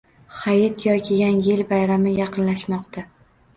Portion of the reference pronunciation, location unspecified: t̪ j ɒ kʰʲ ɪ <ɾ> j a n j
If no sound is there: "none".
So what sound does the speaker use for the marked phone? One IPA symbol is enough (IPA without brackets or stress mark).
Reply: none